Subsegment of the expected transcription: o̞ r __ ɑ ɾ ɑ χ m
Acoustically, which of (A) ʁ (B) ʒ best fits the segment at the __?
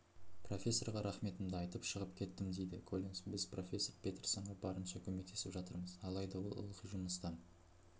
A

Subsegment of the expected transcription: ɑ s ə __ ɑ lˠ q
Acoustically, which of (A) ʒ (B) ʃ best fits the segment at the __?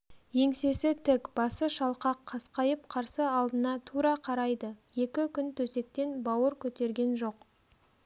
B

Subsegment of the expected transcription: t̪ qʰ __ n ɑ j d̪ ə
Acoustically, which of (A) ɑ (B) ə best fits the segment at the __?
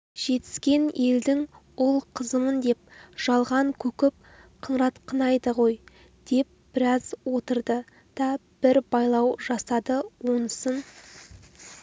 B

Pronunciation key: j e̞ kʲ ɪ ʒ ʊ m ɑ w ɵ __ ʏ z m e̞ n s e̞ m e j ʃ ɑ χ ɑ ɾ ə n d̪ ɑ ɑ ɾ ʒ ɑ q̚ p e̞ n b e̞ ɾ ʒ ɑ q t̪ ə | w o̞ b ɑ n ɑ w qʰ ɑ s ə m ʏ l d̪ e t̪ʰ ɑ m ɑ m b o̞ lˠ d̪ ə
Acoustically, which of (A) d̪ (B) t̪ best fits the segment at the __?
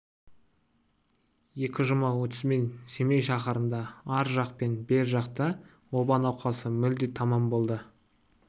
B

